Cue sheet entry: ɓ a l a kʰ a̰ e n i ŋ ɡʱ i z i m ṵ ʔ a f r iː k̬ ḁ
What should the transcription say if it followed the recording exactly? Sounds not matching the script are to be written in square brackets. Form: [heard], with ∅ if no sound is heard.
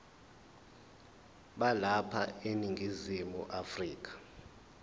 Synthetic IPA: ɓ a l a [pʰ] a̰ e n i ŋ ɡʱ i z i m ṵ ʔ a f r iː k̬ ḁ

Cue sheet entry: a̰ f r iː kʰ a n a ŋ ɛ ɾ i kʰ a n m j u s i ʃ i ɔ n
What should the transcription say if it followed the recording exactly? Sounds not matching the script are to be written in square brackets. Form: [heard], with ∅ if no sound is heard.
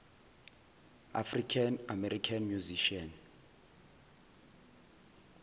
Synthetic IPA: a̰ f r [i] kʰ a n a [m] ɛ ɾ i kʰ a n m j u [z] i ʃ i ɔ n

